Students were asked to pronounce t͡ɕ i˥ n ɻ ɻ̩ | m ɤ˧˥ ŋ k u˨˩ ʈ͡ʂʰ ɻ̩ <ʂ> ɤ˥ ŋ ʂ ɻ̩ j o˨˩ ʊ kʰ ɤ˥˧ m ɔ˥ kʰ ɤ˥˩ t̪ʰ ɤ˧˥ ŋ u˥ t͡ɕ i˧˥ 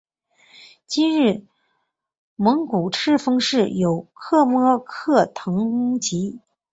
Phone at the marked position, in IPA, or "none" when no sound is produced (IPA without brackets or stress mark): f